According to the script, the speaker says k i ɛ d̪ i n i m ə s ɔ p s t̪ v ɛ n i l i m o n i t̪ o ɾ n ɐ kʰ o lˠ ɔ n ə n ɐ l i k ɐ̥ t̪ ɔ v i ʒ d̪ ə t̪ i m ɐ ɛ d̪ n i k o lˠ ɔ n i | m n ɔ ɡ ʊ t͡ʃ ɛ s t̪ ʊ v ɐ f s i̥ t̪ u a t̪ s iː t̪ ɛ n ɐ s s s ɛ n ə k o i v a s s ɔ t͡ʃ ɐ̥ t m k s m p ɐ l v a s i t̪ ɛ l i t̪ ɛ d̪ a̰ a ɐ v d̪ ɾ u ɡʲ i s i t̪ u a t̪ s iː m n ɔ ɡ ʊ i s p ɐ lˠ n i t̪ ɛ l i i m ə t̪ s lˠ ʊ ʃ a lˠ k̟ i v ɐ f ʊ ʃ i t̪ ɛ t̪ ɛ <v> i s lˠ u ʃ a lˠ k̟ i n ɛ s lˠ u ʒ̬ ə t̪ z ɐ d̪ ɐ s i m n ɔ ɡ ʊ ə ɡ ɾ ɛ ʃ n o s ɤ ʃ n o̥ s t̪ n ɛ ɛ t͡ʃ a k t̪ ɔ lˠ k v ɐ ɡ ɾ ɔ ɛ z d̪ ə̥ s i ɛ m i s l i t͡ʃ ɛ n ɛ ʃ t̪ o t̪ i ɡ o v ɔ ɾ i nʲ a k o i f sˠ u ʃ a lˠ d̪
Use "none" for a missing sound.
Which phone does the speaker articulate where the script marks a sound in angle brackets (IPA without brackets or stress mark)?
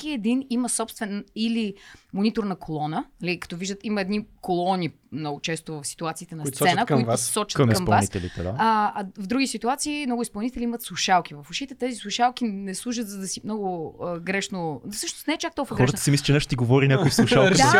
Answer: z